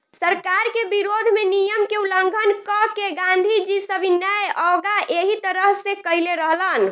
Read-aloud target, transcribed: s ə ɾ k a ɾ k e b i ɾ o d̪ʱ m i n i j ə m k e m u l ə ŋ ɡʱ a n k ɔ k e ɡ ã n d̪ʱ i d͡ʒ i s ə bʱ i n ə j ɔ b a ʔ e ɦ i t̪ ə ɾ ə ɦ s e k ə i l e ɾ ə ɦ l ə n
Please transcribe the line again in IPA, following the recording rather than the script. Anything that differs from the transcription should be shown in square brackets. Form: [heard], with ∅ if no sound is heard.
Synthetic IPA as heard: s ə ɾ k a ɾ k e b i ɾ o d̪ʱ m [e] n i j ə m k e [∅] u l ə ŋ ɡʱ [ə] n k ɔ k e ɡ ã n d̪ʱ i d͡ʒ i s ə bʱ i n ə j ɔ [ɡ] a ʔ e ɦ i t̪ ə ɾ ə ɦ s e k ə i l e ɾ ə ɦ l ə n

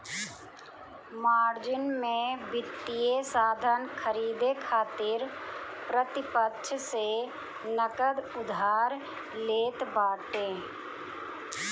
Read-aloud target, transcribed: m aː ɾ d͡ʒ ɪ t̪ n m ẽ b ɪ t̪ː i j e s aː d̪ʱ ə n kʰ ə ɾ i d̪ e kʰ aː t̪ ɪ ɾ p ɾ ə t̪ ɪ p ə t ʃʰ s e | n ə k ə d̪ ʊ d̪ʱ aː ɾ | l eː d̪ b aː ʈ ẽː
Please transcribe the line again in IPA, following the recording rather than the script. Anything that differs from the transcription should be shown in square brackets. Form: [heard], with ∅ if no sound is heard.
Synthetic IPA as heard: m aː ɾ d͡ʒ ɪ [∅] n m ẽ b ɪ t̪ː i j e s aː d̪ʱ ə n kʰ ə ɾ [iː] d̪ e kʰ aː t̪ ɪ ɾ p ɾ ə t̪ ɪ p ə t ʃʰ s e | n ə k ə d̪ ʊ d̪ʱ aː ɾ | l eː [t̪] b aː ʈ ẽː

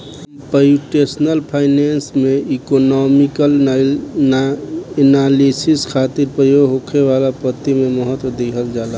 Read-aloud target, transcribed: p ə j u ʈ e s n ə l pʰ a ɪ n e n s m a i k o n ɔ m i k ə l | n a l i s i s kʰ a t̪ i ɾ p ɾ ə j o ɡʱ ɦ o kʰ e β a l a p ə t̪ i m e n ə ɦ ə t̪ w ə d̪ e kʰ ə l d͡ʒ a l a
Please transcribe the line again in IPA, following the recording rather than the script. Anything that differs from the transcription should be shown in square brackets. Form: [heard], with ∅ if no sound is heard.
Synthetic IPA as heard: p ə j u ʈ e s n ə l pʰ a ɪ n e n s m [e] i k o n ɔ m i k ə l | n a l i s i s kʰ a t̪ i ɾ p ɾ ə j o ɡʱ ɦ o kʰ e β a l a p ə t̪ i m e [m] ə ɦ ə t̪ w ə d̪ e kʰ ə l d͡ʒ a l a

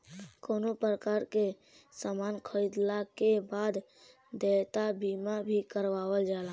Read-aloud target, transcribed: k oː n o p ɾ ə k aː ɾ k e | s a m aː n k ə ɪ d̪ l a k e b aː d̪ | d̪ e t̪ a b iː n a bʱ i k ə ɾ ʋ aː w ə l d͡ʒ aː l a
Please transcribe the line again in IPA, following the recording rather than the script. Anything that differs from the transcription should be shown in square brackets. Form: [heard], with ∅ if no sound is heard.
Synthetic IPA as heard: k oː n o p ɾ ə k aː ɾ k e | s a m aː n [kʰ] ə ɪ d̪ l a k e b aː d̪ | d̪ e t̪ a b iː [m] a bʱ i k ə ɾ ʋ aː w ə l d͡ʒ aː l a

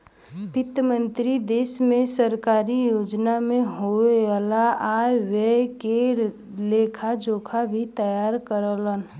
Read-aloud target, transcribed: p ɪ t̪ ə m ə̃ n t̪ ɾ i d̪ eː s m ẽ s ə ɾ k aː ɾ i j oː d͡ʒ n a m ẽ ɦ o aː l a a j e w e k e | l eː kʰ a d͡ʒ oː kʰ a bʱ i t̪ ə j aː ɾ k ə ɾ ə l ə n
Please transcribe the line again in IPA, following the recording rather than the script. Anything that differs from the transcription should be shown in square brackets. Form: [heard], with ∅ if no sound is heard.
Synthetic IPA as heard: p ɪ t̪ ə m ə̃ n t̪ ɾ i d̪ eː s m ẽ s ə ɾ k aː ɾ i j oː d͡ʒ n a m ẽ ɦ o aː l a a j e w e k e | l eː kʰ a d͡ʒ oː kʰ a bʱ i t̪ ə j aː ɾ k ə ɾ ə l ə n

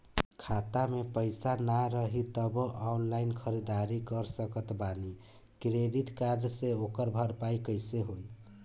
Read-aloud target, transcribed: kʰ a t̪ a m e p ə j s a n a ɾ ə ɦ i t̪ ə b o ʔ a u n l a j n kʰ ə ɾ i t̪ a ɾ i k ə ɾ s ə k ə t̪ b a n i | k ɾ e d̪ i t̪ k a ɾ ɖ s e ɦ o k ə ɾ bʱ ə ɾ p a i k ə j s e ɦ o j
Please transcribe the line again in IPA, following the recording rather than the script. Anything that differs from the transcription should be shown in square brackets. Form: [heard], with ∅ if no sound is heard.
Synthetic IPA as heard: kʰ a t̪ a m e p ə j s a n a ɾ ə ɦ i t̪ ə b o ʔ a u n l a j n kʰ ə ɾ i [d̪] a ɾ i k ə ɾ s ə k ə t̪ b a n i | k ɾ e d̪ i t̪ k a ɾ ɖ s e [∅] o k ə ɾ bʱ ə ɾ p a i k ə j s e ɦ o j

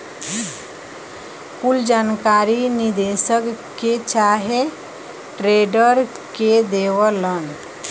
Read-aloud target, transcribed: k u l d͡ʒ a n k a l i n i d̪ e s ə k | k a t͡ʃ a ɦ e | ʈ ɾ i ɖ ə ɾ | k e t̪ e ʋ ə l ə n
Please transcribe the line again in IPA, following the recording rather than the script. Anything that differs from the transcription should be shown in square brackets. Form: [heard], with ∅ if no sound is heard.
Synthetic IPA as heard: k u l d͡ʒ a n k a [ɾ] i n i d̪ e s ə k | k [e] t͡ʃ a ɦ e | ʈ ɾ [e] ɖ ə ɾ | k e [d̪] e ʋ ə l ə n

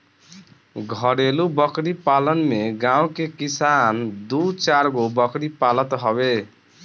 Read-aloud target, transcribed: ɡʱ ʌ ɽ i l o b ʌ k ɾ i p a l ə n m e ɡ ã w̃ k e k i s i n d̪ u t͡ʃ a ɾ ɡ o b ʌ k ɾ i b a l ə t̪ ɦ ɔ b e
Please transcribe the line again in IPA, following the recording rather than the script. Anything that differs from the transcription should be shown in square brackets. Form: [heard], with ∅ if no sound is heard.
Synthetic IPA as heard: ɡʱ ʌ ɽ [e] l [u] b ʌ k ɾ i p a l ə n m e ɡ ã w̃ k e k i s [a] n d̪ u t͡ʃ a ɾ ɡ o b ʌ k ɾ i [p] a l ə t̪ ɦ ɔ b e

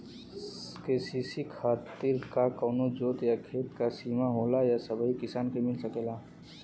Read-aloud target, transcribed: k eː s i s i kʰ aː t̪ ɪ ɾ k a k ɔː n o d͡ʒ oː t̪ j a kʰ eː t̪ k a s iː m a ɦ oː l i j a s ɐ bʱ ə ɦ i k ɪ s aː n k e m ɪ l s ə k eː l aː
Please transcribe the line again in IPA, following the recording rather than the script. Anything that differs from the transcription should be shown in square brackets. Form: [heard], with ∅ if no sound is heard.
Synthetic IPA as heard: k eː s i s i kʰ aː t̪ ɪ ɾ k a k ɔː n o d͡ʒ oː t̪ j a kʰ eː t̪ k a s iː m a ɦ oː l [a] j a s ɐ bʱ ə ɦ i k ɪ s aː n k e m ɪ l s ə k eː l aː

